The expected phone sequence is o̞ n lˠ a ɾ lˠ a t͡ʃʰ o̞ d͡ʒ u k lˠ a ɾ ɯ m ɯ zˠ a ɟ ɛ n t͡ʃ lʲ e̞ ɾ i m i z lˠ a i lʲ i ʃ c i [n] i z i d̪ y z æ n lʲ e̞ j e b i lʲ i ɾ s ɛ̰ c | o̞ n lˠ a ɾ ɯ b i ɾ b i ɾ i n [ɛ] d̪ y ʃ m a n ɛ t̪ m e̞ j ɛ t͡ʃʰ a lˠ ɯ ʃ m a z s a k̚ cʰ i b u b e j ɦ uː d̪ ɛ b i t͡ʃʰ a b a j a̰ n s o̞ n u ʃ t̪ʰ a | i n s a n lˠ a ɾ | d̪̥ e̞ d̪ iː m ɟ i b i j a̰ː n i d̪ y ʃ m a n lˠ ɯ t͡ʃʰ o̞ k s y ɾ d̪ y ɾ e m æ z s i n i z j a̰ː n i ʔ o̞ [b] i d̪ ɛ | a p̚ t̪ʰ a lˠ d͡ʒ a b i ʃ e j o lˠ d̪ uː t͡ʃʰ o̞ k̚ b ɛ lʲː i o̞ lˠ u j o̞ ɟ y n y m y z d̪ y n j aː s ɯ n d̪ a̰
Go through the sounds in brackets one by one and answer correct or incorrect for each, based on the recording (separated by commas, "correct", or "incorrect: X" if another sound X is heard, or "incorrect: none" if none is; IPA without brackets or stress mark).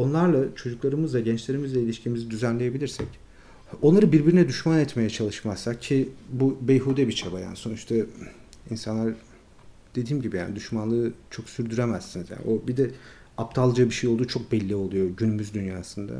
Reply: incorrect: m, correct, correct